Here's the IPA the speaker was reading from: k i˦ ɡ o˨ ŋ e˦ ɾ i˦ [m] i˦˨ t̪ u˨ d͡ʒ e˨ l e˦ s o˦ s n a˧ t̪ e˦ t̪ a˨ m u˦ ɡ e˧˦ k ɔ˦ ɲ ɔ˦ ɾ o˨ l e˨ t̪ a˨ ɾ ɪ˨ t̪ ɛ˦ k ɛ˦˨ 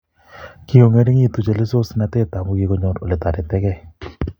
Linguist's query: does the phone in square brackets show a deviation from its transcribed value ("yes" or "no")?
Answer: yes